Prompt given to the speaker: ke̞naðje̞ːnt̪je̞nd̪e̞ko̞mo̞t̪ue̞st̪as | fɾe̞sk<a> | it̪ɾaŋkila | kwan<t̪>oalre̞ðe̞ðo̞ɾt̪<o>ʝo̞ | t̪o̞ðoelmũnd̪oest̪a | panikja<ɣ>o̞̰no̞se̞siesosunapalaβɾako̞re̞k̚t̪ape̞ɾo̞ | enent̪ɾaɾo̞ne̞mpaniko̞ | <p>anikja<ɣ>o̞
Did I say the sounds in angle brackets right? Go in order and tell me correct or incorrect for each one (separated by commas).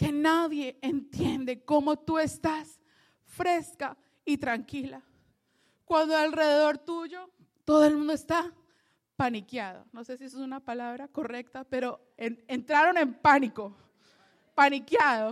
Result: correct, incorrect, incorrect, incorrect, correct, incorrect